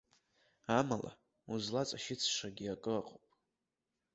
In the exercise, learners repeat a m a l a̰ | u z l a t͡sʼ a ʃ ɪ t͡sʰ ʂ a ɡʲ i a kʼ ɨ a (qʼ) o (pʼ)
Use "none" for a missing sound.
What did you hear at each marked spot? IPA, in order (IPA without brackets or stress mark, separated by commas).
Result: qʼ, pʼ